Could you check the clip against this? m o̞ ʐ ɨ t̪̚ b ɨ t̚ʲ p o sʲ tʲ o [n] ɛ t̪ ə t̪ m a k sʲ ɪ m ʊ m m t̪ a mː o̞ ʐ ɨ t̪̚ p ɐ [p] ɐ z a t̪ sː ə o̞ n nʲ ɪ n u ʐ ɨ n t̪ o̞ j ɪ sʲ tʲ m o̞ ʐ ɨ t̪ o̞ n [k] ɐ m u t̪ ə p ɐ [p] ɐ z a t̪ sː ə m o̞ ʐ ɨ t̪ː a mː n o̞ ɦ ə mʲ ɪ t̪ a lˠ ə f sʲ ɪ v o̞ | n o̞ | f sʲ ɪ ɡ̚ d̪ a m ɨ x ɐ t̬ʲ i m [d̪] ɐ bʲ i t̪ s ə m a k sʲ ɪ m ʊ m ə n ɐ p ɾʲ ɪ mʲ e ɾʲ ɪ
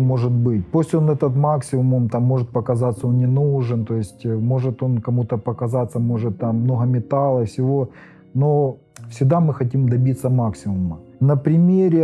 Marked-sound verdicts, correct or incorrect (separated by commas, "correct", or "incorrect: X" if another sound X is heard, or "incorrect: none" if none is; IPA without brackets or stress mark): correct, incorrect: k, correct, incorrect: k, correct